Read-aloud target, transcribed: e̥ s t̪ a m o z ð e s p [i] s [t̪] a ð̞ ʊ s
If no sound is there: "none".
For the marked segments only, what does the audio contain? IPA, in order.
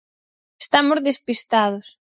i, t̪

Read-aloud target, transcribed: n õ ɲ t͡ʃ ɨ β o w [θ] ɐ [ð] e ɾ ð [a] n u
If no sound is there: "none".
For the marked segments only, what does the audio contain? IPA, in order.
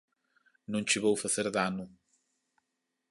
f, θ, a

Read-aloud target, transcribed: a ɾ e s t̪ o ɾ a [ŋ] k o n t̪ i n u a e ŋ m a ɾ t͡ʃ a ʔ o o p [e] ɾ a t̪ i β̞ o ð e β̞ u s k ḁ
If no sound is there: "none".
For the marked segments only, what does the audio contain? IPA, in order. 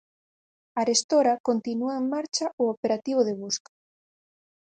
none, e

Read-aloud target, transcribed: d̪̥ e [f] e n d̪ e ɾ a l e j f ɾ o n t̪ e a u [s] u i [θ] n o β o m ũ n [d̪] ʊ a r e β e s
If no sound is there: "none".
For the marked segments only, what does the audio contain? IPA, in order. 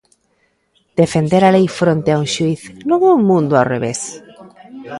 f, ʃ, θ, d̪

